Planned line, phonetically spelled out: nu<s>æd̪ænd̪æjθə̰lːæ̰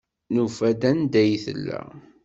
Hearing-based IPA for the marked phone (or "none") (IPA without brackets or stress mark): f